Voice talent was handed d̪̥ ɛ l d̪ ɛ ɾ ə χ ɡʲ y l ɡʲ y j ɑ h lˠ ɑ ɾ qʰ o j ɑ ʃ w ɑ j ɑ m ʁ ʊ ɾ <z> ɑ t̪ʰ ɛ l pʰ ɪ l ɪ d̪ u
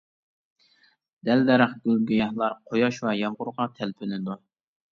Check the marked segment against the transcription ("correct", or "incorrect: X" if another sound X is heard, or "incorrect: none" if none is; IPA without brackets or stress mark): incorrect: ʁ